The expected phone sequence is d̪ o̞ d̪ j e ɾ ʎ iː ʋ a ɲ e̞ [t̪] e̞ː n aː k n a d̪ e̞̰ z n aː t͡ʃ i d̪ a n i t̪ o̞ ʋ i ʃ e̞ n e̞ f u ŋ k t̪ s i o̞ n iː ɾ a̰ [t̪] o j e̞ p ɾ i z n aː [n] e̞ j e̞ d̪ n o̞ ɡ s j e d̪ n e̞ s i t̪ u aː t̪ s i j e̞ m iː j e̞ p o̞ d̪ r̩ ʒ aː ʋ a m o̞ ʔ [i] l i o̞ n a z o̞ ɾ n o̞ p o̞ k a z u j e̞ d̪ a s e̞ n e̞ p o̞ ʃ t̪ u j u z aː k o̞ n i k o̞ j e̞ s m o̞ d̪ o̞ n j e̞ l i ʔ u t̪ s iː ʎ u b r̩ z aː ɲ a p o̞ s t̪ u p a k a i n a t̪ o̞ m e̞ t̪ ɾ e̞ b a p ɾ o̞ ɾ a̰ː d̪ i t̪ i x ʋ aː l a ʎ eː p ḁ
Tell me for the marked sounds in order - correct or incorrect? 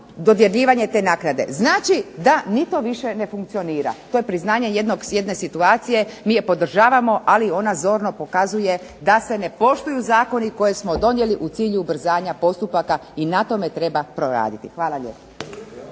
correct, correct, incorrect: ɲ, incorrect: a

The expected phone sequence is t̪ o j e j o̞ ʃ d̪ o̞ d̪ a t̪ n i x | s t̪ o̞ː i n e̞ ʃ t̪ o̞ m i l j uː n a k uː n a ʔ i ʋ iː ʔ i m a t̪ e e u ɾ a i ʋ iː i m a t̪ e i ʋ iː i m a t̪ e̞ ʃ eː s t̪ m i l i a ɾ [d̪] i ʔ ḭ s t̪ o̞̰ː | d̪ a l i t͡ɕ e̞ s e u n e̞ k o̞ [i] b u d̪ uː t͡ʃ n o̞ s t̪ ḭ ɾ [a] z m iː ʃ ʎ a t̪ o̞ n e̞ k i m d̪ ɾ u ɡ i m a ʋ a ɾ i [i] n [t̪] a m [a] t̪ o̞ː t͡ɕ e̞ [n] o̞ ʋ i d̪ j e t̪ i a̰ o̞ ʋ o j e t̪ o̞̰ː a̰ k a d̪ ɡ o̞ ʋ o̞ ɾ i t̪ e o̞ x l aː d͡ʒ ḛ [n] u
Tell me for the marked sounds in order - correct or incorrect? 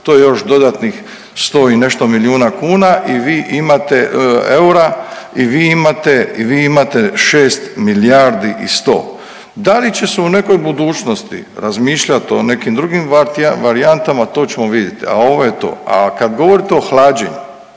correct, incorrect: j, correct, incorrect: a, correct, correct, incorrect: m, incorrect: ɲ

